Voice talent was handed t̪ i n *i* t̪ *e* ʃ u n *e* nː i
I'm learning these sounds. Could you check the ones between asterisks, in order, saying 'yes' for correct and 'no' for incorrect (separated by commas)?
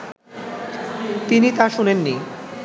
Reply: yes, no, yes